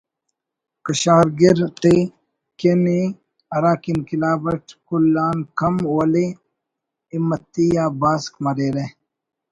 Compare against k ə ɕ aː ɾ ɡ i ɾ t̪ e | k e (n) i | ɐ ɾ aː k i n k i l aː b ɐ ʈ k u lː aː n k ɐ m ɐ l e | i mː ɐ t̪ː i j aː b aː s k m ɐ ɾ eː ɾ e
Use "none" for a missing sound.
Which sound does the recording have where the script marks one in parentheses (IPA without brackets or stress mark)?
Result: n